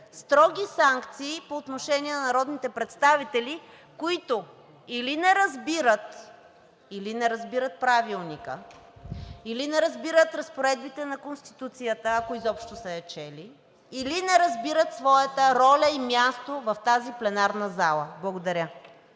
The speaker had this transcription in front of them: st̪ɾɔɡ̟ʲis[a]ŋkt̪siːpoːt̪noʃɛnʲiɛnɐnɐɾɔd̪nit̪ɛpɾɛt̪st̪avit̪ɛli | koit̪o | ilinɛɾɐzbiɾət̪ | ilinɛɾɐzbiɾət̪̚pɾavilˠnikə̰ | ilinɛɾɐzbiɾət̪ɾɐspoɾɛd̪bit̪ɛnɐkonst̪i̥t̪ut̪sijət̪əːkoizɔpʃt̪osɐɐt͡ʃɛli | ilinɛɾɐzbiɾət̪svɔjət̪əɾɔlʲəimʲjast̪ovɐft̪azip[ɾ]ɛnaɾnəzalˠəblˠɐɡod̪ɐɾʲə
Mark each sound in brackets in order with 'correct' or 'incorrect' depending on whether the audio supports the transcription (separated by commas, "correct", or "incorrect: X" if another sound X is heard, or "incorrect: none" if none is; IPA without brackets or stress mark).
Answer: correct, incorrect: l